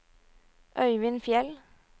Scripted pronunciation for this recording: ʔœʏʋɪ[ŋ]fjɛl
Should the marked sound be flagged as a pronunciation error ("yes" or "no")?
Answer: yes